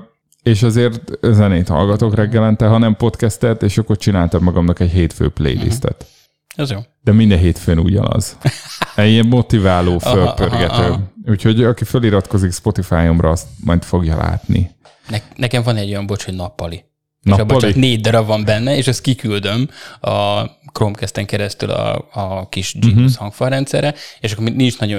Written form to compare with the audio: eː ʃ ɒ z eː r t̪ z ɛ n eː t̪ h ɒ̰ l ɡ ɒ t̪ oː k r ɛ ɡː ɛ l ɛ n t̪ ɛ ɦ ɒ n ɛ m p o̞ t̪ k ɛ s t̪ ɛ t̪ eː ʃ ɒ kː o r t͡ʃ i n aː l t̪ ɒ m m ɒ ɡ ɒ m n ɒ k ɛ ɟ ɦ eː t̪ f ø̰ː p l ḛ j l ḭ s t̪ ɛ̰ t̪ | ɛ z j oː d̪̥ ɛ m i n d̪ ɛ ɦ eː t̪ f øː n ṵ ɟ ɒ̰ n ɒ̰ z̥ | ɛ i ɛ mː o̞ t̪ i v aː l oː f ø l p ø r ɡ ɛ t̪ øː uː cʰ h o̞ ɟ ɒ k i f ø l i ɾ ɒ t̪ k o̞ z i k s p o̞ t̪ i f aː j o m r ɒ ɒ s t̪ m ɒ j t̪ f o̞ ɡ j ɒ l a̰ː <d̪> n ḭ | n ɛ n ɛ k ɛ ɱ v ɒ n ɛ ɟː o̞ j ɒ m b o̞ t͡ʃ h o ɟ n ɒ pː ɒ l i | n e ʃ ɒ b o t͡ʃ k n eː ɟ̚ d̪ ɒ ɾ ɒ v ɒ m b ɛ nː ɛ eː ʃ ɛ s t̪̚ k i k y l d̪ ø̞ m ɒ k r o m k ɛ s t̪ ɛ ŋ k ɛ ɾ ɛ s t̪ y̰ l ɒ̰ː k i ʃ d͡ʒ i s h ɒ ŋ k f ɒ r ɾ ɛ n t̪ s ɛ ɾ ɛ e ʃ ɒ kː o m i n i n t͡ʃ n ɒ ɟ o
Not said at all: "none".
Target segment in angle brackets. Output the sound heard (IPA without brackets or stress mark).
t̪